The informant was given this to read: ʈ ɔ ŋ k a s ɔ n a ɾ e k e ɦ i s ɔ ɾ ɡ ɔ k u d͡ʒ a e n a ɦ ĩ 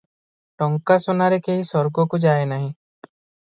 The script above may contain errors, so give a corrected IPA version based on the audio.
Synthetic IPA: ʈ ɔ ŋ k a s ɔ n a ɾ e k e ɦ i s ɔ ɾ ɡ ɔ k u d͡ʒ a e n a ɦ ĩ